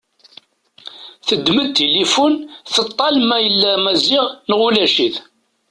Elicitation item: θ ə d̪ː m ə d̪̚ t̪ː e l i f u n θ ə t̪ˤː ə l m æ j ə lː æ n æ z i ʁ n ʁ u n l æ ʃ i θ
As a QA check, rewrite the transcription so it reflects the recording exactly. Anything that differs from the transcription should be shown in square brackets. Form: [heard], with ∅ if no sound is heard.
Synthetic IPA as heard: θ ə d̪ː m ə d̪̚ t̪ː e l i f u n θ ə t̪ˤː [ɑ] l m æ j ə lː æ [m] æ z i ʁ n ʁ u [∅] l æ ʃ i θ